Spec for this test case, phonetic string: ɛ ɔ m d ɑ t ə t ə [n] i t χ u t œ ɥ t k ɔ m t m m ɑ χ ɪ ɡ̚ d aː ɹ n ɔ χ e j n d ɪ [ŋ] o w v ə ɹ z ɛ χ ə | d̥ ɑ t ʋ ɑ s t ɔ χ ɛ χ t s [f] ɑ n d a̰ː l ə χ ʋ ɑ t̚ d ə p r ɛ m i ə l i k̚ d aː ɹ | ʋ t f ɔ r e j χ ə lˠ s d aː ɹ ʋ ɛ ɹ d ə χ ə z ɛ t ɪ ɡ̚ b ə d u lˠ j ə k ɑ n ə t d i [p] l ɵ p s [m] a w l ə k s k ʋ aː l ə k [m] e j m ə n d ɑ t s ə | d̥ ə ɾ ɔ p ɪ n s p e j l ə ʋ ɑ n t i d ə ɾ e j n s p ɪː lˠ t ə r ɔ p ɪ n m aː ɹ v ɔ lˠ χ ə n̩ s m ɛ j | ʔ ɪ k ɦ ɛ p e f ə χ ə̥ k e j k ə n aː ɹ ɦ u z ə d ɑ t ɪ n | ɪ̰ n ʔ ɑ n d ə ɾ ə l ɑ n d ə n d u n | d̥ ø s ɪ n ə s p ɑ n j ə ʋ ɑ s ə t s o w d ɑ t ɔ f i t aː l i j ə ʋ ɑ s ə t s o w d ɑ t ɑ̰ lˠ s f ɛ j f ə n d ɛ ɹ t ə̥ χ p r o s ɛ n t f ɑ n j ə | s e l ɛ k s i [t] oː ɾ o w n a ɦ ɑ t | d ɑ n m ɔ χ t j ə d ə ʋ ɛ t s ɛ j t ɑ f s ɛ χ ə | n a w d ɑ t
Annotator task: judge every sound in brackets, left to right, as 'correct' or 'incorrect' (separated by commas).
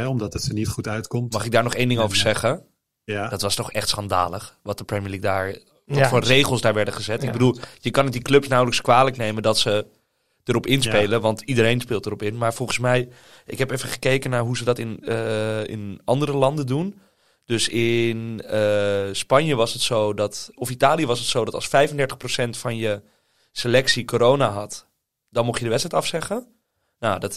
correct, correct, incorrect, incorrect, incorrect, incorrect, incorrect